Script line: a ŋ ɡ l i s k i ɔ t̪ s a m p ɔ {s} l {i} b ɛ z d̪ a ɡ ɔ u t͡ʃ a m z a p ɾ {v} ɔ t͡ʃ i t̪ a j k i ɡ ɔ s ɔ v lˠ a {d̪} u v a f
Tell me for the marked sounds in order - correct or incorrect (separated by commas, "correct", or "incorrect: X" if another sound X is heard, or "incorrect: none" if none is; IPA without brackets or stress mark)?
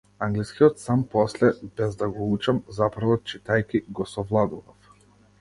correct, incorrect: ɛ, correct, correct